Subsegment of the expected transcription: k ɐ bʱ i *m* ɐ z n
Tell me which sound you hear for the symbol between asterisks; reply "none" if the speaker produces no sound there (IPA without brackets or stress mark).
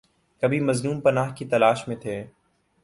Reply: m